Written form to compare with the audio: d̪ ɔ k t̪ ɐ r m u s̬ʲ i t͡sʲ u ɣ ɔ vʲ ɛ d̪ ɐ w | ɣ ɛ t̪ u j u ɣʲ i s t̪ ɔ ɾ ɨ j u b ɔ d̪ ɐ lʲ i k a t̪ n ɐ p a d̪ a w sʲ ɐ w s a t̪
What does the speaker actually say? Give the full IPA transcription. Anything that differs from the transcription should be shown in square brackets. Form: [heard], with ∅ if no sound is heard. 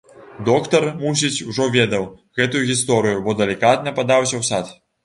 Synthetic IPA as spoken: d̪ ɔ k t̪ ɐ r m u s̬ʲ i t͡sʲ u [ʐ] ɔ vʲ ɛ d̪ ɐ w | ɣ ɛ t̪ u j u ɣʲ i s t̪ ɔ ɾ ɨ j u b ɔ d̪ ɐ lʲ i k a t̪ n ɐ p a d̪ a w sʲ ɐ w s a t̪